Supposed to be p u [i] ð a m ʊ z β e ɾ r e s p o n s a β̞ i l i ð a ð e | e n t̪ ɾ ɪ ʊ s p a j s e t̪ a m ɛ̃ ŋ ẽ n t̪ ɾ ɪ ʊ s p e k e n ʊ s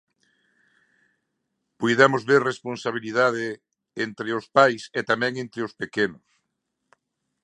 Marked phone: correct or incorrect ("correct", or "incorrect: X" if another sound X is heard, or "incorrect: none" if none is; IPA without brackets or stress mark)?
incorrect: j